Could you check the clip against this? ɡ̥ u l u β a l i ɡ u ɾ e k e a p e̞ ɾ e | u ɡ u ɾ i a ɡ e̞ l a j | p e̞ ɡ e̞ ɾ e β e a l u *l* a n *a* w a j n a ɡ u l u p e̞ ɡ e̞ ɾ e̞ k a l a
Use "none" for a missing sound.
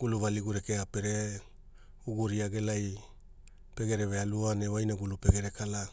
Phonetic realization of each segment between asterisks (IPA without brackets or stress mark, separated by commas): none, e